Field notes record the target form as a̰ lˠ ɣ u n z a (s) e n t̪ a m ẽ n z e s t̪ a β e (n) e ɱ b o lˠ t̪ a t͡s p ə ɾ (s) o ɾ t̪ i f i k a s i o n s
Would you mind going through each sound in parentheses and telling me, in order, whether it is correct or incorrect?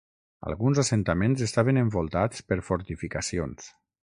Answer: correct, correct, incorrect: f

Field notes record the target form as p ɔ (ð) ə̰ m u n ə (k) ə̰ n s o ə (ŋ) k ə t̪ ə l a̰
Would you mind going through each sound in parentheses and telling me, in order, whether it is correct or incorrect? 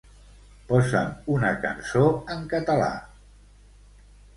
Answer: incorrect: z, correct, correct

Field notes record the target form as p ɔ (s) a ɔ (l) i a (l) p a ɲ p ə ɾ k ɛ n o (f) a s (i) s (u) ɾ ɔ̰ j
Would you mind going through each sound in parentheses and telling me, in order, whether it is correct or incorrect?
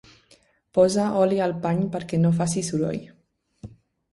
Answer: incorrect: z, correct, correct, correct, correct, correct

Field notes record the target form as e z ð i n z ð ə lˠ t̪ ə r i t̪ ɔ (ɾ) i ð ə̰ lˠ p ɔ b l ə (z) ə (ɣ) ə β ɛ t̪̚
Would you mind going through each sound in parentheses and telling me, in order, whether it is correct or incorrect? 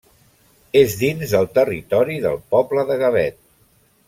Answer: correct, incorrect: ð, correct

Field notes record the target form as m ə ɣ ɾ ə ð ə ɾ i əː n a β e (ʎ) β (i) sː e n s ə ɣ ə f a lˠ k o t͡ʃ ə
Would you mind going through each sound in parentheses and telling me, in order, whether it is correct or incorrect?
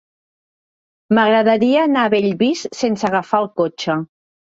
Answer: correct, correct

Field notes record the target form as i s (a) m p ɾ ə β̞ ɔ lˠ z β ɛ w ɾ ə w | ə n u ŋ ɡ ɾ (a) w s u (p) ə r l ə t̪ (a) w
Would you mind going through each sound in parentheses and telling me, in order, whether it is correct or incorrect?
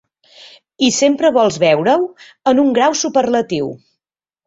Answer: incorrect: e, correct, correct, incorrect: i

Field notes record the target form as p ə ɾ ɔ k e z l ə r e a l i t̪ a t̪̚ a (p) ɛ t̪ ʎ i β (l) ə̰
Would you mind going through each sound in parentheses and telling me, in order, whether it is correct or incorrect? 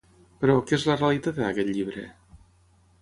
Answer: incorrect: k, incorrect: ɾ

